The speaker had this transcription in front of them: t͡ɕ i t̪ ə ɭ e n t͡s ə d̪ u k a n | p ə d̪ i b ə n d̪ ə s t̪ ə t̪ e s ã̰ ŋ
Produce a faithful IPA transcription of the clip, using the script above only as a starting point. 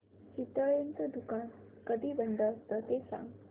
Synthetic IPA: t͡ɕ i t̪ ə ɭ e n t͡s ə d̪ u k a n | k ə d̪ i b ə n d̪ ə s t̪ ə t̪ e s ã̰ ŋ